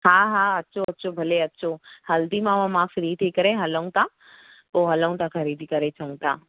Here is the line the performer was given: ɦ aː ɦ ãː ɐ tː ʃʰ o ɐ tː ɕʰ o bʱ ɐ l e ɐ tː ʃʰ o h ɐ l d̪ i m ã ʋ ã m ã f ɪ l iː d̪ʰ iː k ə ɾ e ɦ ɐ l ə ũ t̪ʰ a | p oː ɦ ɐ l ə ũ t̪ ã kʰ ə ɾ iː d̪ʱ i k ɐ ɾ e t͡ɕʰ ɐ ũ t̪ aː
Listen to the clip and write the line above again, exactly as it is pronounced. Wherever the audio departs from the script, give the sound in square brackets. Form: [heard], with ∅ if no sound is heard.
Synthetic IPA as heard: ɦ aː ɦ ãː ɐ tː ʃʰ o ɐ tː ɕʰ o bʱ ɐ l e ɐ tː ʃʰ o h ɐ l d̪ i m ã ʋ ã m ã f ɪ [ɾ] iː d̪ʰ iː k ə ɾ e ɦ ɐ l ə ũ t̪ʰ a | p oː ɦ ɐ l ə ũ t̪ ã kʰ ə ɾ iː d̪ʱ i k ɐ ɾ e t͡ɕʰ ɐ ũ t̪ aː